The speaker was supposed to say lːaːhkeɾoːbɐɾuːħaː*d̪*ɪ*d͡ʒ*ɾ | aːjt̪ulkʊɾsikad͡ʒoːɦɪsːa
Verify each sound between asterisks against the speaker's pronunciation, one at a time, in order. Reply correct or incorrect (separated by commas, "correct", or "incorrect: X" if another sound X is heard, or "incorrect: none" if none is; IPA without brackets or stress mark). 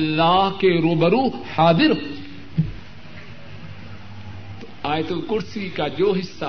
correct, incorrect: none